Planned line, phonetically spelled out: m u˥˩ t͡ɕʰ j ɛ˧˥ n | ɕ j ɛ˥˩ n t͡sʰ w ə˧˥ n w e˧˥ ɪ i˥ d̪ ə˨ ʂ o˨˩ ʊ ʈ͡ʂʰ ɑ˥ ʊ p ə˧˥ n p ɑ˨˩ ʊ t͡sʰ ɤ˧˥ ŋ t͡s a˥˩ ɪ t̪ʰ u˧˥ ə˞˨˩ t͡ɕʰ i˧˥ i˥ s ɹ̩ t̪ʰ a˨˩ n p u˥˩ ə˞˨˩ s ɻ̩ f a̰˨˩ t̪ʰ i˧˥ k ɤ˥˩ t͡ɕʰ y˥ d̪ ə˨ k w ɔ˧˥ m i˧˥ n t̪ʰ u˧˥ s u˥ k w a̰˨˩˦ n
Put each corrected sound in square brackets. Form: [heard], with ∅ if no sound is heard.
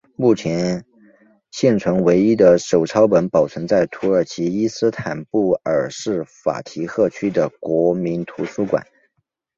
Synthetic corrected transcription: m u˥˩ t͡ɕʰ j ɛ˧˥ n | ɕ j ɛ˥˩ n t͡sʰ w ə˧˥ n w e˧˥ ɪ i˥ d̪ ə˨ ʂ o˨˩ ʊ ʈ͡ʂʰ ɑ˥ ʊ p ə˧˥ n p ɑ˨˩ ʊ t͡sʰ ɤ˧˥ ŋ t͡s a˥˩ ɪ t̪ʰ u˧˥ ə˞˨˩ t͡ɕʰ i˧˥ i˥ s ɹ̩ t̪ʰ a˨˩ n p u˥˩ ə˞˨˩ [ʂ] ɻ̩ f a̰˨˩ t̪ʰ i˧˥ [x] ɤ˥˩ t͡ɕʰ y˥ d̪ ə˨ k w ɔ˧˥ m i˧˥ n t̪ʰ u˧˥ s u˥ k w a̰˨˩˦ n